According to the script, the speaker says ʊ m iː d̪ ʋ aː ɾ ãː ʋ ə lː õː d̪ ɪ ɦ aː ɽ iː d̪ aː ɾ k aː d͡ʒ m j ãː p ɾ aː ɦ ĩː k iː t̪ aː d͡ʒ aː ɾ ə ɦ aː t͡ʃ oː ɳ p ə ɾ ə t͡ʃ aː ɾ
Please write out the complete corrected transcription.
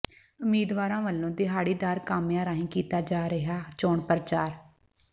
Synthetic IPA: ʊ m iː d̪ ʋ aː ɾ ãː ʋ ə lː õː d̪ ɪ ɦ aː ɽ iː d̪ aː ɾ k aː m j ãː ɾ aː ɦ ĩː k iː t̪ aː d͡ʒ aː ɾ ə ɦ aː t͡ʃ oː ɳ p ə ɾ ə t͡ʃ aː ɾ